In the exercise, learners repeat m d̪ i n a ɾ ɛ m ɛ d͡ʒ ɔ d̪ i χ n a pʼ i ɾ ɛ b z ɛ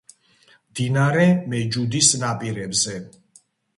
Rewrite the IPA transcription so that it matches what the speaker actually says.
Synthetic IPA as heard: m d̪ i n a ɾ ɛ m ɛ d͡ʒ u d̪ i s n a pʼ i ɾ ɛ b z ɛ